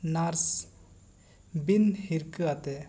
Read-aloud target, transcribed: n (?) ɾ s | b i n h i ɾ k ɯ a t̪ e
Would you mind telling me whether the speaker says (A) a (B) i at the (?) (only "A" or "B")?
A